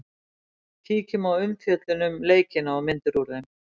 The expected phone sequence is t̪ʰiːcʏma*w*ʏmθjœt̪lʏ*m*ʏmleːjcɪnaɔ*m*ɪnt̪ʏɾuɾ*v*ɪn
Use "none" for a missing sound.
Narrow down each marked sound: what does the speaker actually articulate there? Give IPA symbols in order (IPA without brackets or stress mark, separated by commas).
w, n, m, ð